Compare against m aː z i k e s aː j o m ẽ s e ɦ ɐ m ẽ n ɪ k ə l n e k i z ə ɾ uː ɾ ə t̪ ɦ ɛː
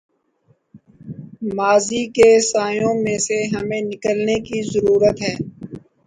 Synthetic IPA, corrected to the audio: m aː z i k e s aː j õ m ẽ s e ɦ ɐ m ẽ n ɪ k ə l n e k i z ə ɾ uː ɾ ə t̪ ɦ ɛː